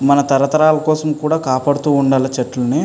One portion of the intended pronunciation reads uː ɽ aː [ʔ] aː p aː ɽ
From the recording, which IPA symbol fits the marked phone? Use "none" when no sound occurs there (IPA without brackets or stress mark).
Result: k